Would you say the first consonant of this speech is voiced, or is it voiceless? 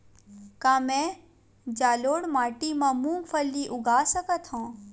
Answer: voiceless